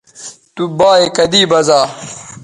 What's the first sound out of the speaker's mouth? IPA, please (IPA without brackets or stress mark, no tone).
t̪